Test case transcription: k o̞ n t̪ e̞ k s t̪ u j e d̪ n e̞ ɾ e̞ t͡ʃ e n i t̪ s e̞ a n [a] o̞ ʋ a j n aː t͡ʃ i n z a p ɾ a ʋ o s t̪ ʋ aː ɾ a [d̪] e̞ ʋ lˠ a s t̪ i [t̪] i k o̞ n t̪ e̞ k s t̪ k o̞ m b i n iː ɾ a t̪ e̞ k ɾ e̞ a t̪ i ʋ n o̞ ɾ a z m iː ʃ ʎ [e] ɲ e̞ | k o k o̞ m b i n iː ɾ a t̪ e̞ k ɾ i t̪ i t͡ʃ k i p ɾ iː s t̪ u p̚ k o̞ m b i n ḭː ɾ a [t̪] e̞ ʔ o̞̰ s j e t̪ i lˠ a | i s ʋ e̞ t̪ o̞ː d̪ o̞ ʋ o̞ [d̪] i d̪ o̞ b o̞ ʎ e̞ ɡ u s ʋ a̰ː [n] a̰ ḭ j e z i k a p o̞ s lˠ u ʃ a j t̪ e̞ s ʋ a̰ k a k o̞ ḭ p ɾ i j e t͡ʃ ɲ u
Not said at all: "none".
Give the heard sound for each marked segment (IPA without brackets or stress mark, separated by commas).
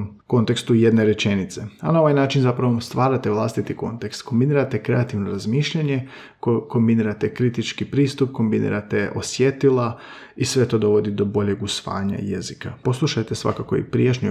a, t̪, t̪, a, t̪, d̪, ɲ